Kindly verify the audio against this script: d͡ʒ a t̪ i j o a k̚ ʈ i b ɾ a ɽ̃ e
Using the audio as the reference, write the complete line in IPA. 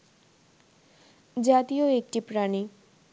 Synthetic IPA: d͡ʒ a t̪ i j o e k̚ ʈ i p ɾ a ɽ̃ i